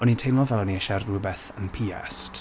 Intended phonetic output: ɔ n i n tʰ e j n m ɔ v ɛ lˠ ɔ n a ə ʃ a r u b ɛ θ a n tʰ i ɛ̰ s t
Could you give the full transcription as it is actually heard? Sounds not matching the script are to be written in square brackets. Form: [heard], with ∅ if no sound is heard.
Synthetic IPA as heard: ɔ n i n tʰ e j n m ɔ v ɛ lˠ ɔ n [i] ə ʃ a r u b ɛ θ [ə] n [pʰ] i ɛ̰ s t